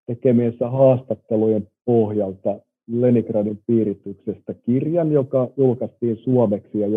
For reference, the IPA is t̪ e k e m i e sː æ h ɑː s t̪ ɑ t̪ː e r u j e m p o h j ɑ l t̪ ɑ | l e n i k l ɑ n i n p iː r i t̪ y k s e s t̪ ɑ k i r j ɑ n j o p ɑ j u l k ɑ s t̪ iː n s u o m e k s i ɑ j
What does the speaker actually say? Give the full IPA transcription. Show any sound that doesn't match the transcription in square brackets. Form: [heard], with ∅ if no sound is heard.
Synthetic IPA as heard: t̪ e k e m i e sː æ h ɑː s t̪ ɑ t̪ː e [l] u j e m p o h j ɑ l t̪ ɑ | l e n i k [r] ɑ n i [m] p iː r i t̪ y k s e s t̪ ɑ k i r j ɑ n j o [k] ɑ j u l k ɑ s t̪ iː n s u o m e k s i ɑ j